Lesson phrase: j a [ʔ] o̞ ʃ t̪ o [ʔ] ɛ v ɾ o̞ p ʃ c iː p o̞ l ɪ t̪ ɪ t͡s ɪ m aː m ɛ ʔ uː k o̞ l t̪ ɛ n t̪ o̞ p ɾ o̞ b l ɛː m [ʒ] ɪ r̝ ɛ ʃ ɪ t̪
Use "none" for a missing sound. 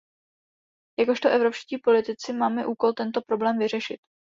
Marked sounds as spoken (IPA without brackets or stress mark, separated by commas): k, ʔ, v